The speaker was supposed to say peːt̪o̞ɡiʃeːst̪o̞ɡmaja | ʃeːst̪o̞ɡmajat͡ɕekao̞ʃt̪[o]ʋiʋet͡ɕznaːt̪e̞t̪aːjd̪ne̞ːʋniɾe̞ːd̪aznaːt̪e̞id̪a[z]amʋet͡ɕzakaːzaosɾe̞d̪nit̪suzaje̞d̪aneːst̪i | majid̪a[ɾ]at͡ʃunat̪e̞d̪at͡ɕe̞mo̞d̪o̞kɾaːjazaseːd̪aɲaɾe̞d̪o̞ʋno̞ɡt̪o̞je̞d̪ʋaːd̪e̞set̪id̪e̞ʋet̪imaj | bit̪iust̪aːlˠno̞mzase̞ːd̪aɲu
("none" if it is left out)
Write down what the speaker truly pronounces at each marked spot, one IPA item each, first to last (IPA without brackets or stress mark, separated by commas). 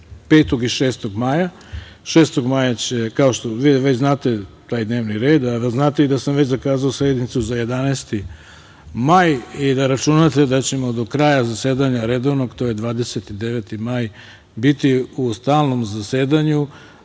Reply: o, s, ɾ